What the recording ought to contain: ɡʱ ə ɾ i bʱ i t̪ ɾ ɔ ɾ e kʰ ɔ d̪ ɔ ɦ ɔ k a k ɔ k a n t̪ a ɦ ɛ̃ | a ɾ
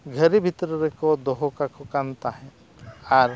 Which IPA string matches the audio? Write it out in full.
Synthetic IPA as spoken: ɡʱ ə ɾ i bʱ i t̪ ɾ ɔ ɾ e k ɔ d̪ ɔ ɦ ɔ k a k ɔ k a n t̪ a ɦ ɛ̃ | a ɾ